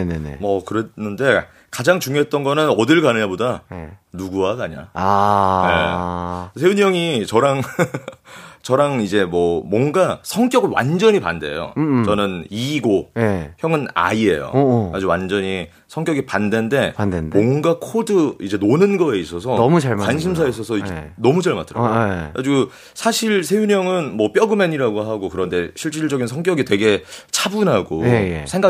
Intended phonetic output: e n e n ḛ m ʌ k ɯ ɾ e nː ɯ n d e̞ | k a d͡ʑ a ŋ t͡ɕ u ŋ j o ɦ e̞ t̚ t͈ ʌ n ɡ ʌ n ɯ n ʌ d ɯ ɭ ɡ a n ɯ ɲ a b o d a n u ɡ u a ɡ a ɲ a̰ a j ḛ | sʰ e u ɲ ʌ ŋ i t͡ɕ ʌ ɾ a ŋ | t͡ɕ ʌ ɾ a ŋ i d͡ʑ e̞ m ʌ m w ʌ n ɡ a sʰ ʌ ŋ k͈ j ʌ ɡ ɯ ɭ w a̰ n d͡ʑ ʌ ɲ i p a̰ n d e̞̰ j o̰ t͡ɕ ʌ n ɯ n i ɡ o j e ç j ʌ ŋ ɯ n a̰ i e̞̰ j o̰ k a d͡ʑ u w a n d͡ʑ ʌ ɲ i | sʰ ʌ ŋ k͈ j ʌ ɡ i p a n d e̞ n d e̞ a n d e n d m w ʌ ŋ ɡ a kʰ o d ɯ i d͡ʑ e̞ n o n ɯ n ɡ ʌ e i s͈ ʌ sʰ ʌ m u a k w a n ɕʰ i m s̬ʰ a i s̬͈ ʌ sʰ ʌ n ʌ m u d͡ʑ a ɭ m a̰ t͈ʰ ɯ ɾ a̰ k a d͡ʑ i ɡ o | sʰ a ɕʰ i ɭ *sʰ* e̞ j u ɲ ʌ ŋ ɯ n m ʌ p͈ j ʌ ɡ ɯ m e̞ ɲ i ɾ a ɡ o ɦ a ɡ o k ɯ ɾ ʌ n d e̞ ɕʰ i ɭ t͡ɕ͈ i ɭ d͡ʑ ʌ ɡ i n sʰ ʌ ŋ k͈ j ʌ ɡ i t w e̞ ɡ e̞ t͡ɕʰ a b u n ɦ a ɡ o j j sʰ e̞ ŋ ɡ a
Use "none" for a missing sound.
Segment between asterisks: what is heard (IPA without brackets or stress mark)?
sʰ